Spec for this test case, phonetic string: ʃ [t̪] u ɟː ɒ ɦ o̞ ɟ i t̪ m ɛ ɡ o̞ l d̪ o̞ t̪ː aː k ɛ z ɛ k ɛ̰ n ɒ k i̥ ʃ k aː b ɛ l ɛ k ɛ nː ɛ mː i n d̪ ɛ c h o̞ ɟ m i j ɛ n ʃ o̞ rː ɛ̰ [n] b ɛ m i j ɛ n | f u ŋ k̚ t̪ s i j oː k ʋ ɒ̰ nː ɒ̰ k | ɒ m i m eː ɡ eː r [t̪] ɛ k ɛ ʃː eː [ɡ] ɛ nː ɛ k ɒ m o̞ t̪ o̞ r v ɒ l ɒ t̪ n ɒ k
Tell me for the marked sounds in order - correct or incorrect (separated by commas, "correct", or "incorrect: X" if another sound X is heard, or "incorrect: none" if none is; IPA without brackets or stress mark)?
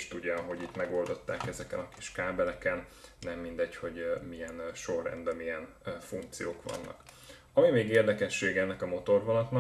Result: correct, correct, incorrect: d̪, correct